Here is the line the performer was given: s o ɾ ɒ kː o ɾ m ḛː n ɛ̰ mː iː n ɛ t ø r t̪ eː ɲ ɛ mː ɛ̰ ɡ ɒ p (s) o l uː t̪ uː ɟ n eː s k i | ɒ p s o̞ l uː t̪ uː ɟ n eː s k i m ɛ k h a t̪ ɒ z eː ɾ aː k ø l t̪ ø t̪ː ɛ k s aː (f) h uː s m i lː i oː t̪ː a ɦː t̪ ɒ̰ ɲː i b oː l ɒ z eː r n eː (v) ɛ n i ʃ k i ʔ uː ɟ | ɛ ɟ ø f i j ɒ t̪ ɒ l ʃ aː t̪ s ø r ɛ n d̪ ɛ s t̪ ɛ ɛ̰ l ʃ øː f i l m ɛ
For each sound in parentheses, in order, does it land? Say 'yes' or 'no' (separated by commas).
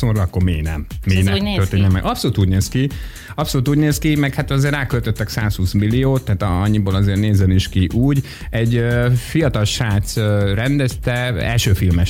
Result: yes, no, no